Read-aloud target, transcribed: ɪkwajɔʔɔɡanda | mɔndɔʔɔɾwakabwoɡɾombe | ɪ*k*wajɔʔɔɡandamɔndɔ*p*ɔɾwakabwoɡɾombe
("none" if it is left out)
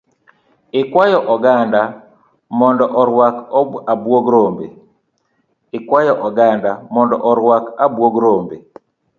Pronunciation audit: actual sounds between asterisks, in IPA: k, ʔ

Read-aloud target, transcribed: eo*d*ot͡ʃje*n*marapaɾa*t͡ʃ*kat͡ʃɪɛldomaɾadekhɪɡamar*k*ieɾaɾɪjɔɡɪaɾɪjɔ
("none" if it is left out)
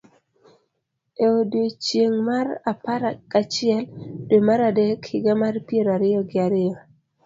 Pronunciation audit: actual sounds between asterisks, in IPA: d, ŋ, none, p

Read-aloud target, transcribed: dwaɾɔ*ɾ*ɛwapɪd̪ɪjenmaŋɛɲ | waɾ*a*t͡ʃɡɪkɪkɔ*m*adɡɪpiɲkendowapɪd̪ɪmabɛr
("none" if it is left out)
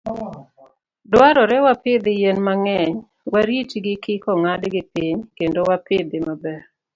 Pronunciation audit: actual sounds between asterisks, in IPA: ɾ, i, ŋ

